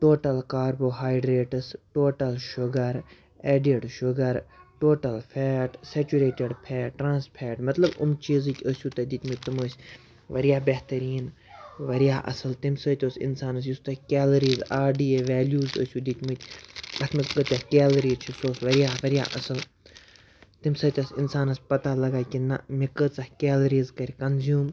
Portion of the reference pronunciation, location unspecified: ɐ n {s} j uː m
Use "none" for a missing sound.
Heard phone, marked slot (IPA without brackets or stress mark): z